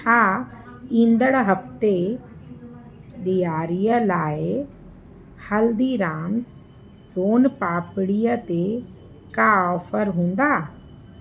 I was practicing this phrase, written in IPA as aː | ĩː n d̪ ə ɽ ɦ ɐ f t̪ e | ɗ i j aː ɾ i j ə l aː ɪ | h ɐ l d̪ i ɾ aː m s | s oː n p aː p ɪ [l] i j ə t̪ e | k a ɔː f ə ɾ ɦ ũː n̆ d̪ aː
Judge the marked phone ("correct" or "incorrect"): incorrect